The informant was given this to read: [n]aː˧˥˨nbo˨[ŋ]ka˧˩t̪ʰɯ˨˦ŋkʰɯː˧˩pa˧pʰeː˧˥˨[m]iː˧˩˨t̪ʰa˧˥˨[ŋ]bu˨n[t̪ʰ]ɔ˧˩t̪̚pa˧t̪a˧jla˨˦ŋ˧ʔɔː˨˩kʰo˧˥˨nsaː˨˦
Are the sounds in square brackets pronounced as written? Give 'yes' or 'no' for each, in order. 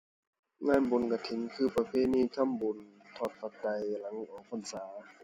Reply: no, no, no, no, yes

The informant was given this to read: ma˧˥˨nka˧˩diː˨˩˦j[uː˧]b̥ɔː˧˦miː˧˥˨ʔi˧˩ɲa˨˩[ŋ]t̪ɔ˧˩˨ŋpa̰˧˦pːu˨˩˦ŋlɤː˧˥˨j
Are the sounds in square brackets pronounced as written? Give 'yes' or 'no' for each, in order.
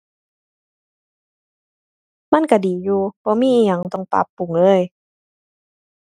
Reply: yes, yes

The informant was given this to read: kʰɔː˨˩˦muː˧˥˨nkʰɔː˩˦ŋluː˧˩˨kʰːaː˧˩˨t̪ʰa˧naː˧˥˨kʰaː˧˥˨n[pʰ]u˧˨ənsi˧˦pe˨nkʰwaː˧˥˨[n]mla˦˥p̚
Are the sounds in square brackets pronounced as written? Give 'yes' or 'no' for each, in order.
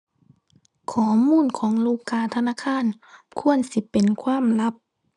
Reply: no, no

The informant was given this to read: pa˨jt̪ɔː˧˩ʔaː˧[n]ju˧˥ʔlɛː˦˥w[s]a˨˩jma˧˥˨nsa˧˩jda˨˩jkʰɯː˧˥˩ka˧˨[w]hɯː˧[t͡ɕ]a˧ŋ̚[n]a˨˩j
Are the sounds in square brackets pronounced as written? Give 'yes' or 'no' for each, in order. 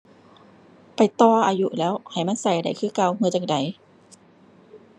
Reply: no, no, yes, yes, no

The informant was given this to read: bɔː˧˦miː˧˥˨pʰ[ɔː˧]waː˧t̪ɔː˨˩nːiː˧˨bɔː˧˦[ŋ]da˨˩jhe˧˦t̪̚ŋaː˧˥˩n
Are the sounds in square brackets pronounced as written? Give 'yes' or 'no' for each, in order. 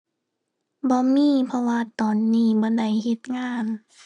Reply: no, no

